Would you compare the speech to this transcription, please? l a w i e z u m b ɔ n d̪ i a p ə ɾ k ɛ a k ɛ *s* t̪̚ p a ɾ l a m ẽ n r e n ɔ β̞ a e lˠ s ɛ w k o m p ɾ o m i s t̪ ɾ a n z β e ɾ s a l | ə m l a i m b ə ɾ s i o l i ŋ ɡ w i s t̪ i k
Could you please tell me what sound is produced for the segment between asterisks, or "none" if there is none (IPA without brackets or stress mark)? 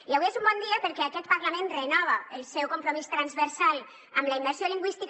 none